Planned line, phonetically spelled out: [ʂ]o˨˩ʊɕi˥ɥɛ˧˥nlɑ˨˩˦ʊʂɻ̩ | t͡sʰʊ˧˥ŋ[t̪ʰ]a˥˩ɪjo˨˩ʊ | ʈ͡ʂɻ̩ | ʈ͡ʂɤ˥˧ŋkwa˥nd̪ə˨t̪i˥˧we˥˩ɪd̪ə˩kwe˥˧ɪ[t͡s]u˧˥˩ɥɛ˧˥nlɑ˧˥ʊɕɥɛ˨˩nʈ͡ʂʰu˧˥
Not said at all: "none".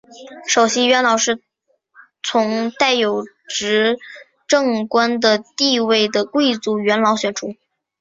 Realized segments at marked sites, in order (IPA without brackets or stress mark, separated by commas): ʂ, t̪, t͡s